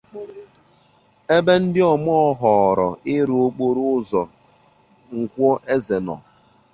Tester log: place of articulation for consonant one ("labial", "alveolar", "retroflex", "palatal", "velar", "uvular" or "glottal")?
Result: labial